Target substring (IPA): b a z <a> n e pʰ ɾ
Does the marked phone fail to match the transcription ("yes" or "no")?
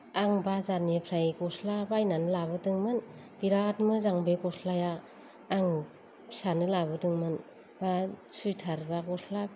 no